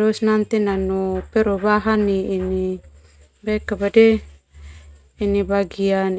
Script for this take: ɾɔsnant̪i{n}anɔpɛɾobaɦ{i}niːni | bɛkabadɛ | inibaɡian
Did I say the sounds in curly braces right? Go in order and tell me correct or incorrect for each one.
correct, incorrect: a

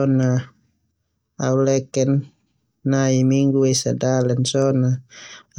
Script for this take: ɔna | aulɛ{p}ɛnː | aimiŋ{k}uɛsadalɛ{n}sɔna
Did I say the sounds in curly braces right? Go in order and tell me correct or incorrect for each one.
incorrect: k, incorrect: ɡ, correct

